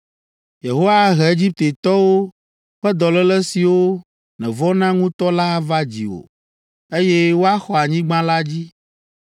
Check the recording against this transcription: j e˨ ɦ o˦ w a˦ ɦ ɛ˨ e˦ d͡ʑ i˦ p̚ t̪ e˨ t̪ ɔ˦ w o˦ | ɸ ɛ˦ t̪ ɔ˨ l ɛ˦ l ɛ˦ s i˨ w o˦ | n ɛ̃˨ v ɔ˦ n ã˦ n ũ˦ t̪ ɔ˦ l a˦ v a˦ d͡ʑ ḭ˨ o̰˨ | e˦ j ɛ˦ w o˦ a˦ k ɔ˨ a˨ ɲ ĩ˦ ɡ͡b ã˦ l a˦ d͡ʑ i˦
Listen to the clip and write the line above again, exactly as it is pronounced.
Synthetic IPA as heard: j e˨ ɦ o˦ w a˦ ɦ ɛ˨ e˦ d͡ʑ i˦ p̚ t̪ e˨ t̪ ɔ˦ w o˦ | ɸ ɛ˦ d̪ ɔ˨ l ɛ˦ l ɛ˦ s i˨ w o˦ | n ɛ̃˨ v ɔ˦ n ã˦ ŋ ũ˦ t̪ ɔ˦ l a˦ v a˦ d͡ʑ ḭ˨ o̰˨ | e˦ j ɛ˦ w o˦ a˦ x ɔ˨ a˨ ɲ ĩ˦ ɡ͡b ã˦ l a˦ d͡ʑ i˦